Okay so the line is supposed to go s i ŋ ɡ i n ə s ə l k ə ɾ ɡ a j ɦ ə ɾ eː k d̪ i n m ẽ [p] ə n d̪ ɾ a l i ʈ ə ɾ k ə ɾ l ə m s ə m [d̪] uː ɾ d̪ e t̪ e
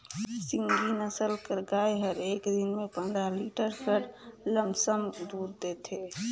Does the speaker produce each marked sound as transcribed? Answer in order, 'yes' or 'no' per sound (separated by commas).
yes, yes